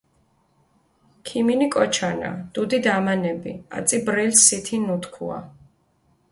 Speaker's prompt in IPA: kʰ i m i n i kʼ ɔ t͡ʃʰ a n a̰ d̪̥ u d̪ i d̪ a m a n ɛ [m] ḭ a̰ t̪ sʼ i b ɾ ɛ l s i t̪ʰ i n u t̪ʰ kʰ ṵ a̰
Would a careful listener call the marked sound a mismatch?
yes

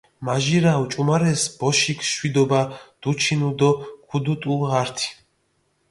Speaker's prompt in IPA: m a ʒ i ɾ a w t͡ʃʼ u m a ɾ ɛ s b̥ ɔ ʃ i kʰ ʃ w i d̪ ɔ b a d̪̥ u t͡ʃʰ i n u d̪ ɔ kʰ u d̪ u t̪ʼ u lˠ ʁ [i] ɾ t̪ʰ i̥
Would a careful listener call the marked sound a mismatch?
yes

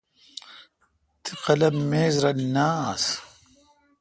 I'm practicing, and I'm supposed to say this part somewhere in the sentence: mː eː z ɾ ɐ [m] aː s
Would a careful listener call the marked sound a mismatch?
yes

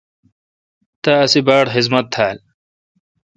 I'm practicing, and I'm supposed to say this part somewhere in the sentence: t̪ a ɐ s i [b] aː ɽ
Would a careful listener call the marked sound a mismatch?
no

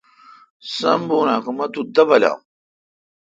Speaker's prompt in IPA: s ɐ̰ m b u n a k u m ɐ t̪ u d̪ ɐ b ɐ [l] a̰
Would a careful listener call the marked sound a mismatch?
no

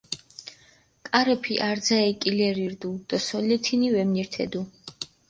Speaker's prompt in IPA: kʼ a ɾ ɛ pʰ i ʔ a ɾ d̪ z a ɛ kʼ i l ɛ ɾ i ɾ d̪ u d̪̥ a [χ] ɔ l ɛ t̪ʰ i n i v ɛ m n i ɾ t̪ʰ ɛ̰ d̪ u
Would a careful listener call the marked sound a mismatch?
yes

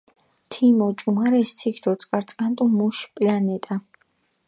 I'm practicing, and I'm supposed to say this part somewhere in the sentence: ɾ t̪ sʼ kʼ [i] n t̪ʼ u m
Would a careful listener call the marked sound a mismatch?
yes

